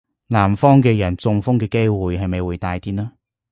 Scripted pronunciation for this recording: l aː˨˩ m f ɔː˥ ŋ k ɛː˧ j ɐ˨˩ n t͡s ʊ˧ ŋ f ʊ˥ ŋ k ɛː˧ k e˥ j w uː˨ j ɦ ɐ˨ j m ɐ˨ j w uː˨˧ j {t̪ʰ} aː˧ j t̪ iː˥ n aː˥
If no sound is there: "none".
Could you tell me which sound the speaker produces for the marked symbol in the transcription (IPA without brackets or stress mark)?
t̪